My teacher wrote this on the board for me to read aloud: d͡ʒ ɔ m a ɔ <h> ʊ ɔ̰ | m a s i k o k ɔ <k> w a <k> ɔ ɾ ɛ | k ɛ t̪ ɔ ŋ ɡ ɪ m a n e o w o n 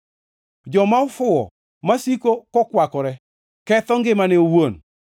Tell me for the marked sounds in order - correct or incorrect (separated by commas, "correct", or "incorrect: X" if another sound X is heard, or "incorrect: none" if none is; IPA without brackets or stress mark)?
incorrect: f, correct, correct